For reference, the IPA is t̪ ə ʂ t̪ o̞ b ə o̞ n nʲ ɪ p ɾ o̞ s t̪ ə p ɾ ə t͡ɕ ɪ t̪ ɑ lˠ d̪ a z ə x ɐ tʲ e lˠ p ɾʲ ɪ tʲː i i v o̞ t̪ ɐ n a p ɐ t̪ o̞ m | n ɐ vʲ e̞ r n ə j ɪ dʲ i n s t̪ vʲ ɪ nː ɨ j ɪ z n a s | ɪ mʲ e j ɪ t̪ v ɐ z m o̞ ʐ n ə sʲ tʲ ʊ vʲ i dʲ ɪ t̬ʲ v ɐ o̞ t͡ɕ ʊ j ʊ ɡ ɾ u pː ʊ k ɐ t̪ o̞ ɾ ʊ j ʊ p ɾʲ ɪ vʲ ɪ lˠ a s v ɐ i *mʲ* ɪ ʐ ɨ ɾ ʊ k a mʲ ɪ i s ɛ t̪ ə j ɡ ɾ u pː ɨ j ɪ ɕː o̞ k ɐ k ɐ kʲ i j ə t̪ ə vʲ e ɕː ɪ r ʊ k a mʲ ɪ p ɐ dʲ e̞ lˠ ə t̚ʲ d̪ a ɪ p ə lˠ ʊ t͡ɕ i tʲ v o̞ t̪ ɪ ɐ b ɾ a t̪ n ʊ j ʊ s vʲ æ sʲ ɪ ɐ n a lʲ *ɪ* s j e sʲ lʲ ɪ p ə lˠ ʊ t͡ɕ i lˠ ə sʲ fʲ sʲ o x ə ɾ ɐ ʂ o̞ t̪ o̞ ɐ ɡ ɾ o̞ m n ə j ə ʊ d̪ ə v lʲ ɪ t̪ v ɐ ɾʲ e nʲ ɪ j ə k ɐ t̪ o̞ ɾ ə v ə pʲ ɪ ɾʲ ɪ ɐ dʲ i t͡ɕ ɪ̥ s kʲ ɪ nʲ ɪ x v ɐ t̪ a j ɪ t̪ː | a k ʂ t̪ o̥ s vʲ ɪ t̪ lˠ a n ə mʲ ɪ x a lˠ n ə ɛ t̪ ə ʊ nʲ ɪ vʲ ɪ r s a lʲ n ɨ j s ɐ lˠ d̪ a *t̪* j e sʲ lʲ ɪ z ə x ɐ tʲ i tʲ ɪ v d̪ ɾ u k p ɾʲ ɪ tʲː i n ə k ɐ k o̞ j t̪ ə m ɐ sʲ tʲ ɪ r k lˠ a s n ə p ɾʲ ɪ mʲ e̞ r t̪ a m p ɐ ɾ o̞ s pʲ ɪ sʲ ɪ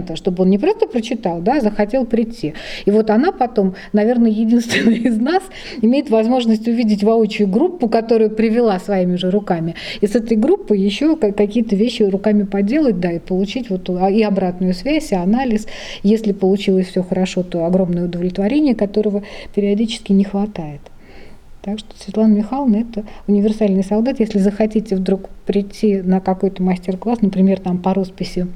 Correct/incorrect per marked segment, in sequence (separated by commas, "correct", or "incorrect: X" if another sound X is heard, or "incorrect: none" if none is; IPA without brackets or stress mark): correct, correct, correct